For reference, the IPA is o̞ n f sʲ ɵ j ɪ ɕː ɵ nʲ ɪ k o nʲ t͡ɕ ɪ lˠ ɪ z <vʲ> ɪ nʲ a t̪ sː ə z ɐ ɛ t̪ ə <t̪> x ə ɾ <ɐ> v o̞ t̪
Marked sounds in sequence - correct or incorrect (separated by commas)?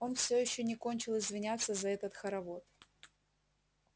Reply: correct, correct, correct